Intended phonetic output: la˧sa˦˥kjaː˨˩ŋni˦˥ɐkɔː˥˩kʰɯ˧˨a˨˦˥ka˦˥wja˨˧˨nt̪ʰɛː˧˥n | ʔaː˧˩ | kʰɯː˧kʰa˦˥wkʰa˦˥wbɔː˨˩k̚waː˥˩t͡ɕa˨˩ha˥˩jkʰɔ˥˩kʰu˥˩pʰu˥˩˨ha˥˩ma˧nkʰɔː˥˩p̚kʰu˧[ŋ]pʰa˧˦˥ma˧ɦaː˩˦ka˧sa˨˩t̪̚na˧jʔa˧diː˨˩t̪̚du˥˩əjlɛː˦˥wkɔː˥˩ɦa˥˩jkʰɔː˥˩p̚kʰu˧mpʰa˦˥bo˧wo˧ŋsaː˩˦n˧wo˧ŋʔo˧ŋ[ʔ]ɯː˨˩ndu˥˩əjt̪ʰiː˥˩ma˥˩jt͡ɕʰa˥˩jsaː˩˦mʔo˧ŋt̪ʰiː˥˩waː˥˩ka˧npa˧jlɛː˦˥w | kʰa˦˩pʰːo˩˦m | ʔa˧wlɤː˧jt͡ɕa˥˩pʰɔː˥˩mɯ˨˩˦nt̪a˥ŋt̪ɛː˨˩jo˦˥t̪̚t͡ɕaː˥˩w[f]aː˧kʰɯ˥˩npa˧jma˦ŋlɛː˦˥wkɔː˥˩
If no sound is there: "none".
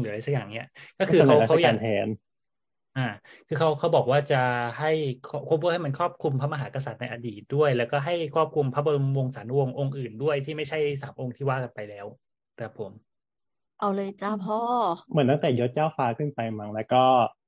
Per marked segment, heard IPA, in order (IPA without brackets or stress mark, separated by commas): m, ʔ, f